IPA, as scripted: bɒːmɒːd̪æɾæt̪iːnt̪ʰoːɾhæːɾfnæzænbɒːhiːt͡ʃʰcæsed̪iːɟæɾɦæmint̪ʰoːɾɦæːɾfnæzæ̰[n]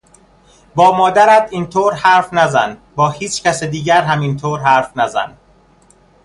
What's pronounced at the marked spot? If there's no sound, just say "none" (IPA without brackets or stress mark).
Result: n